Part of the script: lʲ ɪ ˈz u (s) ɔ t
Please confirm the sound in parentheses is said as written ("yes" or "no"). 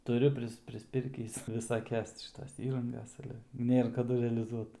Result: no